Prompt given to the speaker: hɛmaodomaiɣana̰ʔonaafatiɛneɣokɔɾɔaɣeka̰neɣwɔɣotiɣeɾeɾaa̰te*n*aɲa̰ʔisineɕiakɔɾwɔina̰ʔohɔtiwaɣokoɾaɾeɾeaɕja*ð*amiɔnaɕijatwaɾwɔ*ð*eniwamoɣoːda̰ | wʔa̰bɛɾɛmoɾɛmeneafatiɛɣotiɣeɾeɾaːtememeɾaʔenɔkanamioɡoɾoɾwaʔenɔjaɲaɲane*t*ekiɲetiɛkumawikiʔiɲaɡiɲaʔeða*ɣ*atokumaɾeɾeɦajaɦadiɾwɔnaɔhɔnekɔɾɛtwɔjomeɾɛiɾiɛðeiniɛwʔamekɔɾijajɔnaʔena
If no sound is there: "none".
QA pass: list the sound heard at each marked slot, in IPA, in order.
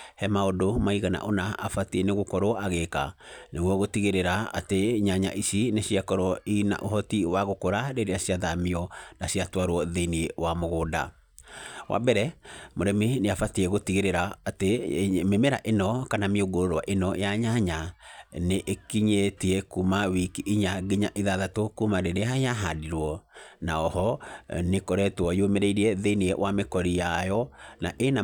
ɲ, ð, ð, ʔ, ð

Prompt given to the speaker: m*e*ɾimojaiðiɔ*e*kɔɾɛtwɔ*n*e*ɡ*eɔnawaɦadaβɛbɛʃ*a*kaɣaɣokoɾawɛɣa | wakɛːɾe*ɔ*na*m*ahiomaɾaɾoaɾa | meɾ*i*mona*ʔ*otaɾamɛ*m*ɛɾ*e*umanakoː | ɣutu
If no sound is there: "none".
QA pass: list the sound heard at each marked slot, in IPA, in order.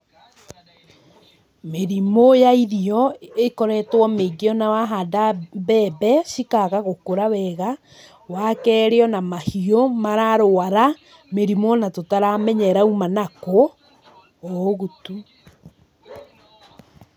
e, e, m, ɡ, i, ɔ, m, i, t, ɲ, a

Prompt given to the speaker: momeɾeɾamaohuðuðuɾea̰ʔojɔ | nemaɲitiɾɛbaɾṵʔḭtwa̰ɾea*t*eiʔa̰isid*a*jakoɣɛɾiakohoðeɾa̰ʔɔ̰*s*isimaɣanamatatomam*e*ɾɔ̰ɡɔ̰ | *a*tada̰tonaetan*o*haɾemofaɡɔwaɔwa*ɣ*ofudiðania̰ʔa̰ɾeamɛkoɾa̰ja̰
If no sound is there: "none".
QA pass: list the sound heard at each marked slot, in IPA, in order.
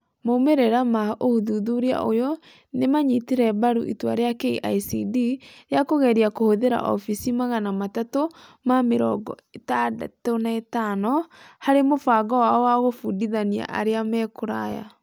k, i, f, e, e, ɔ, ɣ

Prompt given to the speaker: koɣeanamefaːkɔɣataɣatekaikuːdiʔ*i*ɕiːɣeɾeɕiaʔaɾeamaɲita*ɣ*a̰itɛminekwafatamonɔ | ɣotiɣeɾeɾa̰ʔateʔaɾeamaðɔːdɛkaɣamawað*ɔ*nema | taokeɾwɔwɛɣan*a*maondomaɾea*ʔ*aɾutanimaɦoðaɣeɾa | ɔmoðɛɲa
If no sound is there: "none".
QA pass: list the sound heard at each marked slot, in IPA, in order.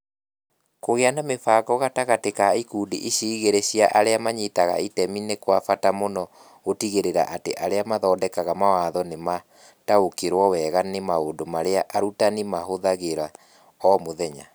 i, ɣ, ɔ, e, ʔ

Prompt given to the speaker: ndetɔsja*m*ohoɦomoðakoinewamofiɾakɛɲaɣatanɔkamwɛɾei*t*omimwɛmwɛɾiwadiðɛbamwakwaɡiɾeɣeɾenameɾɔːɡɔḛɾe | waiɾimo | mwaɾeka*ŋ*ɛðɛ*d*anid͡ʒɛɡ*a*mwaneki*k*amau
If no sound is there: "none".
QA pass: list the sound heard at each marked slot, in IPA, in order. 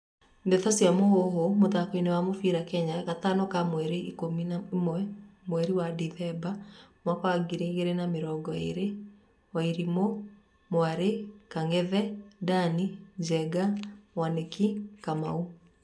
m, k, ŋ, d, a, k

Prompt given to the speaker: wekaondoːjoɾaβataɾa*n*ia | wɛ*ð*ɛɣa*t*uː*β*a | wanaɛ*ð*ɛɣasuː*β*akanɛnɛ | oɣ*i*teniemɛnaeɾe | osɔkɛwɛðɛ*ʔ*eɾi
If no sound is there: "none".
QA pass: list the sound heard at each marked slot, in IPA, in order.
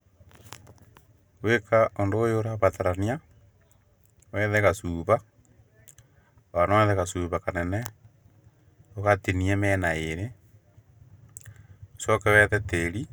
n, ð, s, β, ð, β, a, t

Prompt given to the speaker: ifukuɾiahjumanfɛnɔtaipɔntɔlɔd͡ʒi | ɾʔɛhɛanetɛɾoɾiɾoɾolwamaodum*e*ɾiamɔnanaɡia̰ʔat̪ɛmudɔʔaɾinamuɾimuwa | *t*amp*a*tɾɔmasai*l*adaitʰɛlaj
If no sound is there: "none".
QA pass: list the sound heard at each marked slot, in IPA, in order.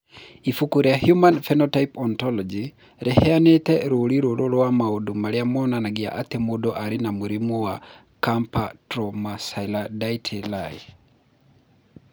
a, k, a, l

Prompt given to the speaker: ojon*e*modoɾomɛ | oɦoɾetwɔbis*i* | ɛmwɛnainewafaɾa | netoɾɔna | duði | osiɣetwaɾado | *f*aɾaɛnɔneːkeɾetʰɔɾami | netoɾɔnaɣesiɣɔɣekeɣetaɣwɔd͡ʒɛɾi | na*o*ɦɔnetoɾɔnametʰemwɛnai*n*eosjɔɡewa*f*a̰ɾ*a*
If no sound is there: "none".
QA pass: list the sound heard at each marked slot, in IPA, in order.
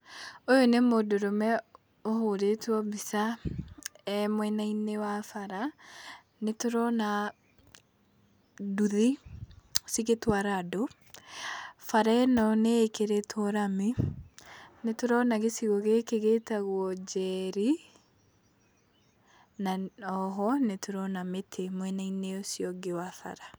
e, a, f, ɔ, n, f, a

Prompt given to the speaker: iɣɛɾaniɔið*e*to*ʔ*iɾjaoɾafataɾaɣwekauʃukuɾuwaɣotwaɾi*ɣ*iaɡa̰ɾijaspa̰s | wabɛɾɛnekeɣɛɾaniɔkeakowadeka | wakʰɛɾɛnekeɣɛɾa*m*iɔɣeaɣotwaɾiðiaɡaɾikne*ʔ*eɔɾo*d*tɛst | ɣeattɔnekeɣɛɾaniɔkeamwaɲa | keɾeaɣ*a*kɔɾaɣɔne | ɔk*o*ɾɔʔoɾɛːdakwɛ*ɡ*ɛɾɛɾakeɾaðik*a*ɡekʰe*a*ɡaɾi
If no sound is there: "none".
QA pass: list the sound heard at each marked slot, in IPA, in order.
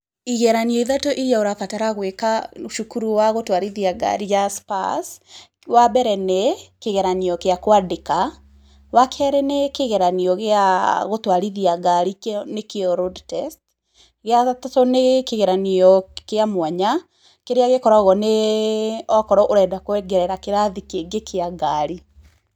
a, ʔ, ð, n, k, d, e, ɔ, ɡ, e, a

